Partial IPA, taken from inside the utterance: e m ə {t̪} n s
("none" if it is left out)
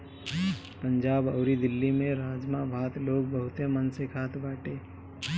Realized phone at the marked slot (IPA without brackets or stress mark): none